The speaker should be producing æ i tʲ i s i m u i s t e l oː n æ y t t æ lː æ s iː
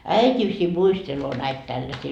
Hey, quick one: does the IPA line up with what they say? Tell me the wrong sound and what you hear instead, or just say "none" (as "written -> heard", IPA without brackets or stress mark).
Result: y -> i